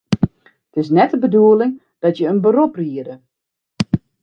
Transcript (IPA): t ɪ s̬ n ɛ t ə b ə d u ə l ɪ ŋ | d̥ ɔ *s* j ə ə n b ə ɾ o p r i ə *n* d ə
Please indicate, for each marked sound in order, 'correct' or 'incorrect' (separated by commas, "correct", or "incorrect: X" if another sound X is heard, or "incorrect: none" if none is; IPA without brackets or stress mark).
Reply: incorrect: t, incorrect: none